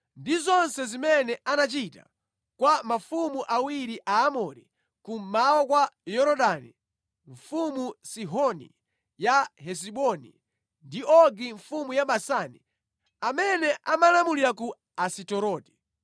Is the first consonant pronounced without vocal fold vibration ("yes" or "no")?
no